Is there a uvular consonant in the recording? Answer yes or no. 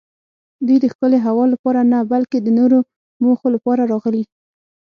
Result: no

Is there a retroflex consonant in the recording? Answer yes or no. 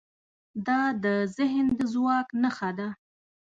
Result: no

